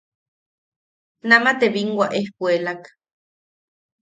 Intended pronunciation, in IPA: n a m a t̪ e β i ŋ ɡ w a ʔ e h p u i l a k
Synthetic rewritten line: n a m a t̪ e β i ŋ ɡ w a ʔ e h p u e l a k